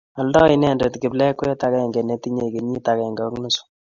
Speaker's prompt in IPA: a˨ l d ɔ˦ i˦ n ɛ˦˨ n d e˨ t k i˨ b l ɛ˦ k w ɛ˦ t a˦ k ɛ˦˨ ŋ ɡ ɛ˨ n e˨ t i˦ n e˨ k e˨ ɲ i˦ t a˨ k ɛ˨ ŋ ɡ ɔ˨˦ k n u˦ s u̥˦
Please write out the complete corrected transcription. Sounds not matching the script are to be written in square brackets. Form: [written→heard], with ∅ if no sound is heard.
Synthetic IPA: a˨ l d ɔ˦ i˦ n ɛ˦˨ n d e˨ t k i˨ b l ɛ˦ k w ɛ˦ t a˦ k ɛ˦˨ ŋ ɡ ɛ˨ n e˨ t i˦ [n→ɲ] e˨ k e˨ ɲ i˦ t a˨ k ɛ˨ ŋ ɡ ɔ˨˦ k n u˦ s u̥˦